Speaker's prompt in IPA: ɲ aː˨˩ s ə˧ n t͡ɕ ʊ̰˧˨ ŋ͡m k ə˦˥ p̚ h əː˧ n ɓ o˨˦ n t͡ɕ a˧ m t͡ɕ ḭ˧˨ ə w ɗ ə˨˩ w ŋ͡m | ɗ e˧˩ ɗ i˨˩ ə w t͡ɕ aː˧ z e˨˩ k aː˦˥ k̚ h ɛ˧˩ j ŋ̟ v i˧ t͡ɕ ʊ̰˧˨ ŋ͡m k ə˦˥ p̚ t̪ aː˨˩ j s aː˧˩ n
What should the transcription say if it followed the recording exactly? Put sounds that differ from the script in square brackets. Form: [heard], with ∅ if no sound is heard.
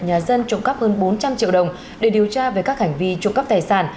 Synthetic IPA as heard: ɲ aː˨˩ [z] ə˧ n t͡ɕ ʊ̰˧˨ ŋ͡m k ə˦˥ p̚ h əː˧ n ɓ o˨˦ n t͡ɕ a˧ m t͡ɕ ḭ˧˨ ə w ɗ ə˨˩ w ŋ͡m | ɗ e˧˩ ɗ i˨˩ ə w t͡ɕ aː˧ [v] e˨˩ k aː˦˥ k̚ h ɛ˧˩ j ŋ̟ v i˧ t͡ɕ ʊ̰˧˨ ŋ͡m k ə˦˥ p̚ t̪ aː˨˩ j s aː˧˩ n